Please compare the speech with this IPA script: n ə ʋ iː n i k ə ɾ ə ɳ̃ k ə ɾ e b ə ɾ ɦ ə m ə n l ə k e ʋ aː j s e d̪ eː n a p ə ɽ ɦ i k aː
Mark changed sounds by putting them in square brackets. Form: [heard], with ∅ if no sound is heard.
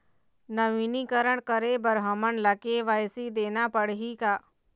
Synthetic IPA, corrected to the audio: n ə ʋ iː n i k ə ɾ ə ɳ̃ k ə ɾ e b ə ɾ ɦ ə m ə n l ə k e ʋ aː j s [i] d̪ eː n a p ə ɽ ɦ i k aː